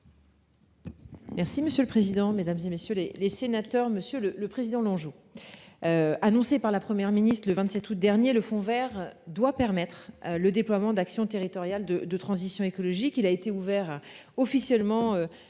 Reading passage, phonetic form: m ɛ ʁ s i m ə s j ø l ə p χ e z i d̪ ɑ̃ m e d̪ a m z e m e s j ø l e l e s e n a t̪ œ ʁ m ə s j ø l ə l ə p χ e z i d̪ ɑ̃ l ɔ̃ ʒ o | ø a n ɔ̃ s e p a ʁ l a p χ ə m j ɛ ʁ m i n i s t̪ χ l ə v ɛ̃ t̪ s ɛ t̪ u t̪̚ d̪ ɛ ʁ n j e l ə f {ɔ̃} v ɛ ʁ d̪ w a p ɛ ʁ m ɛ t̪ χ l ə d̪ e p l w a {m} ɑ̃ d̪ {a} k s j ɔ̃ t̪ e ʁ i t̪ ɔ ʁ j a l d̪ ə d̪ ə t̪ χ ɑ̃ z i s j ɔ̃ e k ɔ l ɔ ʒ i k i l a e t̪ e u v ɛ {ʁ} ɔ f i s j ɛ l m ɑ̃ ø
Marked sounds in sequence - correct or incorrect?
correct, correct, correct, correct

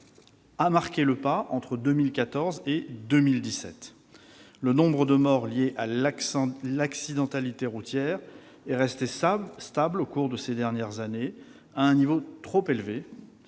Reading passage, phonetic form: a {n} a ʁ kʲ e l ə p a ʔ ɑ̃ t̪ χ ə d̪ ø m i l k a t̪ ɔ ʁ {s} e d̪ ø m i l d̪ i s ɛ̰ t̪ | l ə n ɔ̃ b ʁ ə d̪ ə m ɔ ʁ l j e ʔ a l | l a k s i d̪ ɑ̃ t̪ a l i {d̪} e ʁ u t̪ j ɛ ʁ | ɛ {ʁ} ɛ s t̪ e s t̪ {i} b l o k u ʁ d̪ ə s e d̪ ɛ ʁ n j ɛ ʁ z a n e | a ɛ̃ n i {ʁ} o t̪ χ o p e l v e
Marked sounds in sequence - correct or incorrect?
incorrect: m, incorrect: z, incorrect: t̪, correct, incorrect: a, incorrect: v

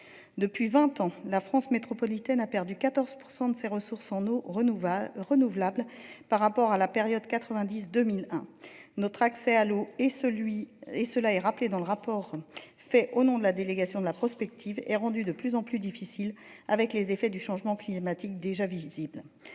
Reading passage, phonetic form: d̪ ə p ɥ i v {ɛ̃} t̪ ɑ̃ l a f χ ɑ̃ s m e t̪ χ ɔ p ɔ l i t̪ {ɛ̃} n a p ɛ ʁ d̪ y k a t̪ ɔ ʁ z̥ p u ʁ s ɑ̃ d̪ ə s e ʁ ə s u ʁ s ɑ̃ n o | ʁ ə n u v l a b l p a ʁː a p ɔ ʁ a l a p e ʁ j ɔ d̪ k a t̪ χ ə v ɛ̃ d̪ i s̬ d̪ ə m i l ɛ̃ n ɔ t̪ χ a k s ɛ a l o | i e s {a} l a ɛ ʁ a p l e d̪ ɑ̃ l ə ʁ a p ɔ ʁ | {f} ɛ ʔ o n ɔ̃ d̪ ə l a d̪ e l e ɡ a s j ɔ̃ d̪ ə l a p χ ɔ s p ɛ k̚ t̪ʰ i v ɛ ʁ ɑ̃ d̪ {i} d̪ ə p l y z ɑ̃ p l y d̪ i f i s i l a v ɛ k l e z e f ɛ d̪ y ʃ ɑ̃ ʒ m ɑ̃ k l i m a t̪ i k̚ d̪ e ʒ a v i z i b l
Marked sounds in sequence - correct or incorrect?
correct, incorrect: ɛ, incorrect: ə, correct, incorrect: y

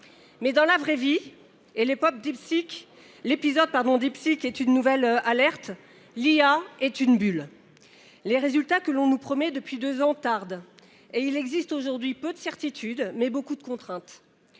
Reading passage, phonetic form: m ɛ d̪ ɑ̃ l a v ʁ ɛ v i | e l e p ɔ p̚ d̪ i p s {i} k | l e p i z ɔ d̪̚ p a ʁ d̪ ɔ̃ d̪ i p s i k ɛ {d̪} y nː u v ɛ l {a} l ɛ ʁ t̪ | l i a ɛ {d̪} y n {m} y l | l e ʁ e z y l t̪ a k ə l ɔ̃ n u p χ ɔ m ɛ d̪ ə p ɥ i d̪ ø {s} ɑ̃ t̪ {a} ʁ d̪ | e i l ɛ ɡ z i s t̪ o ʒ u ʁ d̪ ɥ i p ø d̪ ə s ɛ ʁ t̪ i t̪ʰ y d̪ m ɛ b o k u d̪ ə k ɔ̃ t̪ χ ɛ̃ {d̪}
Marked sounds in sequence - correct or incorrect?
correct, incorrect: t̪, correct, incorrect: t̪, incorrect: b, incorrect: z, correct, incorrect: t̪

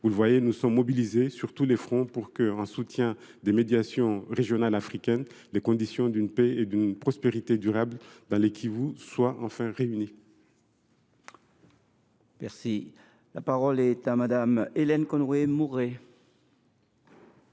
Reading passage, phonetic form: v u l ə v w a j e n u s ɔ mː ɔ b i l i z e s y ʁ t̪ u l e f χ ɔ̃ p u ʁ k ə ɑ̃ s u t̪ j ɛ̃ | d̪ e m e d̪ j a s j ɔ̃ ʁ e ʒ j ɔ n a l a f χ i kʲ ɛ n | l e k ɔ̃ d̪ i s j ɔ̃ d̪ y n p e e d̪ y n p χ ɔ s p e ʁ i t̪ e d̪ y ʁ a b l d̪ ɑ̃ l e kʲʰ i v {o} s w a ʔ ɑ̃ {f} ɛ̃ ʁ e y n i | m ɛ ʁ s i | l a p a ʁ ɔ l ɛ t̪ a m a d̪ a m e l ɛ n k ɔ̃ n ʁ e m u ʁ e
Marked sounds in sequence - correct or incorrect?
incorrect: u, correct

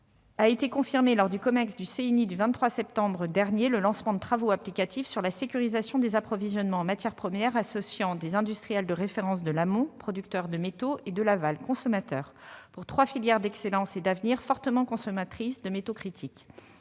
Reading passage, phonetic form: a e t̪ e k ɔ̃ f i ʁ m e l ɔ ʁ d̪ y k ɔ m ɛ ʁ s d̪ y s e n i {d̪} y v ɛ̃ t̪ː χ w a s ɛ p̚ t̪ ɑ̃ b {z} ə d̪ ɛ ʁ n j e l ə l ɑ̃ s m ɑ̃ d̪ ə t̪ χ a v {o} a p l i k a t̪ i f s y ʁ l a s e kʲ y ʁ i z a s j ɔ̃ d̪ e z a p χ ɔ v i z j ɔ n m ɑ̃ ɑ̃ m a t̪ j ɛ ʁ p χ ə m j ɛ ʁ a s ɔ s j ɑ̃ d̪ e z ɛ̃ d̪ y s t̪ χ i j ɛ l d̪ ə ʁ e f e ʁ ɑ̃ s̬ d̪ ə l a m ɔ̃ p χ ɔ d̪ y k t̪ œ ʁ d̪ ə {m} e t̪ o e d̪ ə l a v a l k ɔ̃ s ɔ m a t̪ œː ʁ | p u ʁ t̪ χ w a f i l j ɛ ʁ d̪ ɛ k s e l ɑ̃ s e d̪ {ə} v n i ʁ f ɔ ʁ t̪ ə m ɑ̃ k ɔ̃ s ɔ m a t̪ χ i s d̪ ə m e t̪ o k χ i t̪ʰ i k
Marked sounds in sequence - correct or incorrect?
correct, incorrect: ʁ, correct, correct, incorrect: a

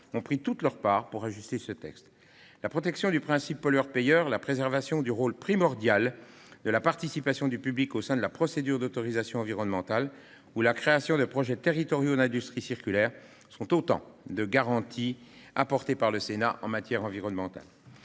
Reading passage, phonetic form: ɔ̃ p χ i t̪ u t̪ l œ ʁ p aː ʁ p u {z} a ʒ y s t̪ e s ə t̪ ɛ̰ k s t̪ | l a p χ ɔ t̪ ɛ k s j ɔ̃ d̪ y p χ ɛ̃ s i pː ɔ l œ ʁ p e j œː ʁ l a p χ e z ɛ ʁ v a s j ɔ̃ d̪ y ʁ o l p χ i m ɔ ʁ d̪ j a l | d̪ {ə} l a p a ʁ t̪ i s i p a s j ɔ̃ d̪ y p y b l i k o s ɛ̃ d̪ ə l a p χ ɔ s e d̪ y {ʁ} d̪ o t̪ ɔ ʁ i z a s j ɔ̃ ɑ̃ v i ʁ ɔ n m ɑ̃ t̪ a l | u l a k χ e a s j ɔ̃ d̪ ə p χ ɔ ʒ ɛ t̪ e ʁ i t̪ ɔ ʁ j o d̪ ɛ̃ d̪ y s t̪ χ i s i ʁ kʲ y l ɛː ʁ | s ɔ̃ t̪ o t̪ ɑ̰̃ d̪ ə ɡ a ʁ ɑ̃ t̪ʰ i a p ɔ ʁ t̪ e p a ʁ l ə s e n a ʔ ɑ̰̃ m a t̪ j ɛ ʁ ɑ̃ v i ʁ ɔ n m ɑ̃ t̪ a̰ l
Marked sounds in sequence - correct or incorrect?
incorrect: ʁ, correct, correct

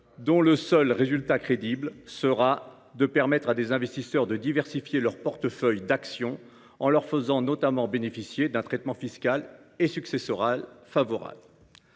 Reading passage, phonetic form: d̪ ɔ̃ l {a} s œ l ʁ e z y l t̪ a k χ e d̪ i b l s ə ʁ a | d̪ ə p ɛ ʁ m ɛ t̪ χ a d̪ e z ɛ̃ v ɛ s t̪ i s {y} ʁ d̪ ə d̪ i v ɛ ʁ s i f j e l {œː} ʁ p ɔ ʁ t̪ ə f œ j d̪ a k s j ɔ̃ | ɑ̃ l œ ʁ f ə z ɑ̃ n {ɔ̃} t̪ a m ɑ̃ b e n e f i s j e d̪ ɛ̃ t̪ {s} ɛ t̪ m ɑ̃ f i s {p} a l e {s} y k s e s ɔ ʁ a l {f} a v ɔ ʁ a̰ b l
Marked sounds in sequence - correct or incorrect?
incorrect: ə, incorrect: œ, incorrect: œ, incorrect: ɔ, incorrect: χ, incorrect: k, correct, correct

